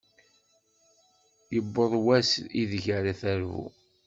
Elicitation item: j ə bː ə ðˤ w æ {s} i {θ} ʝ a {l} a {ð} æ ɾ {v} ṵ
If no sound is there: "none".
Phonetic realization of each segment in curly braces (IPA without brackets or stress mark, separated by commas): s, ð, ɾ, θ, v